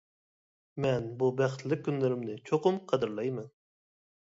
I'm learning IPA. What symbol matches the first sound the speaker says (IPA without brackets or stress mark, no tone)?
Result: m